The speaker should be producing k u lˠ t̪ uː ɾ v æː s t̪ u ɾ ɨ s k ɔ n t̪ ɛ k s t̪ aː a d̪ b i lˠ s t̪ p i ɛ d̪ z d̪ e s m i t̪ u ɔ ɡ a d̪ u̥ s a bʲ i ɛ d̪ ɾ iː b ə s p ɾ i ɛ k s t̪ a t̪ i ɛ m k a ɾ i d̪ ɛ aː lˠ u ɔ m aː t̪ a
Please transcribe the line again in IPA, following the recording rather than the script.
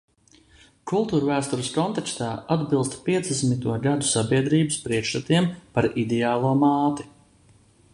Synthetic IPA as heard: k u lˠ t̪ uː ɾ v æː s t̪ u ɾ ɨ s k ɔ n t̪ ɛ k s t̪ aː a d̪ b i lˠ s t̪ p i ɛ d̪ z d̪ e s m i t̪ u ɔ ɡ a d̪ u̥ s a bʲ i ɛ d̪ ɾ iː b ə s p ɾ i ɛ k ʃ t̪ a t̪ i ɛ m p a ɾ i d̪ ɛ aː lˠ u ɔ m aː t̪ i